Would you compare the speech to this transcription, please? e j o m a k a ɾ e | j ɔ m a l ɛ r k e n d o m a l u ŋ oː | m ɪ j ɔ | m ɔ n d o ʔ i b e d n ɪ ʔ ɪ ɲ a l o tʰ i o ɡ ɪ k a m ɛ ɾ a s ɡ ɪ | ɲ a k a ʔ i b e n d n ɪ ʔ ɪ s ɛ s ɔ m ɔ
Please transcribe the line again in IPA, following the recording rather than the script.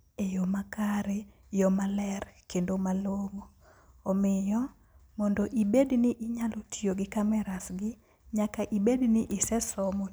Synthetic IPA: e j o m a k a ɾ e | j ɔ m a l ɛ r k e n d o m a l o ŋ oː | m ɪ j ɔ | m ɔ n d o ʔ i b e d n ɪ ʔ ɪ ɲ a l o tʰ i o ɡ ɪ k a m ɛ ɾ a s ɡ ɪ | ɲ a k a ʔ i b e d n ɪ ʔ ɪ s ɛ s ɔ m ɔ